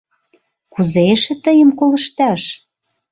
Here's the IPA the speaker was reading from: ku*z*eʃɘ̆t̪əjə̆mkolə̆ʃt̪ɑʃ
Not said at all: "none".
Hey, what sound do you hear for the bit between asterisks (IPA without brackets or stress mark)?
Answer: z